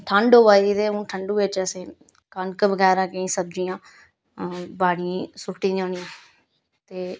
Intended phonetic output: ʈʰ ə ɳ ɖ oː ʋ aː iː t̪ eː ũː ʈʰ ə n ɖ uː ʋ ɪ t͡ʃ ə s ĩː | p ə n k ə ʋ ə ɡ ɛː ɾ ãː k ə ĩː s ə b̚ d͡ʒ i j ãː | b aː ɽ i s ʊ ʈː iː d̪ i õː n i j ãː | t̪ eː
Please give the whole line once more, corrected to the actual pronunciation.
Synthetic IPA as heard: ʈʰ ə ɳ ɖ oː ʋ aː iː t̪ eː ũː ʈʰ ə ɳ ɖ uː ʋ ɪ t͡ʃ ə s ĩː | k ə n k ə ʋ ə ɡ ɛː ɾ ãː k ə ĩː s ə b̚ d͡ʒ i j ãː | b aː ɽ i s ʊ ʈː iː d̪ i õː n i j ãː | t̪ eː